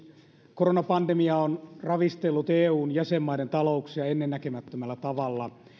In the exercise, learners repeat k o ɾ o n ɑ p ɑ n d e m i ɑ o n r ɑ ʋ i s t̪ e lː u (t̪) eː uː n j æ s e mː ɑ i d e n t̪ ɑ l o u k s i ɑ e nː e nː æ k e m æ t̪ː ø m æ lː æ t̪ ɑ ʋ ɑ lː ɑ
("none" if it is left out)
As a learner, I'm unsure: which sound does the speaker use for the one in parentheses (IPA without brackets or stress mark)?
t̪